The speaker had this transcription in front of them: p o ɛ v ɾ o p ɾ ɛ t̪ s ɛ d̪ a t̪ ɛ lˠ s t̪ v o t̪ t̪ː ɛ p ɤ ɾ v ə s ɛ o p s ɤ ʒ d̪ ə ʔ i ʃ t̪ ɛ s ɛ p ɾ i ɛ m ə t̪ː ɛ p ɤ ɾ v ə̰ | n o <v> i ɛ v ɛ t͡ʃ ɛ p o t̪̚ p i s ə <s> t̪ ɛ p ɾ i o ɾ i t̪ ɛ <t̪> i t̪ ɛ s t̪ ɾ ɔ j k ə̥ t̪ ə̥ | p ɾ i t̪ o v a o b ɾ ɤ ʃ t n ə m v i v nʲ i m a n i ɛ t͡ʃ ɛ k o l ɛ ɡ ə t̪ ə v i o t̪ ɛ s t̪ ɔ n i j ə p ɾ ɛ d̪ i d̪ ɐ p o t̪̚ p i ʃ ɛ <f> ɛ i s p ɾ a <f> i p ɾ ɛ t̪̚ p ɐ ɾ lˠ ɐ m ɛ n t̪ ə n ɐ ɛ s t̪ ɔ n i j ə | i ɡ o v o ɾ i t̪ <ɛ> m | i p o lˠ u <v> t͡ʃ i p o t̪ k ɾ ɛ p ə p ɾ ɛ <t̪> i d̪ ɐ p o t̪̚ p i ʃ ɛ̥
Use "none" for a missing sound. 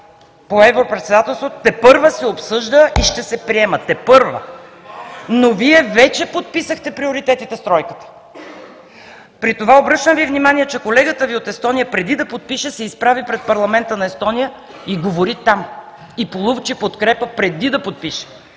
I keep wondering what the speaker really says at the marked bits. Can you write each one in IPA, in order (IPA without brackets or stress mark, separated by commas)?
v, x, t̪, s, v, a, v, d̪